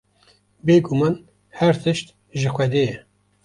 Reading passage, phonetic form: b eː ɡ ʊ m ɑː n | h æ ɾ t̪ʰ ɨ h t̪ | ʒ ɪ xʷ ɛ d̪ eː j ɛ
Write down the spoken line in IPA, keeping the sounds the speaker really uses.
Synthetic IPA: b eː ɡ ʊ m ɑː n | h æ ɾ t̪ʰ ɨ ʃ t̪ | ʒ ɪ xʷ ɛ d̪ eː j ɛ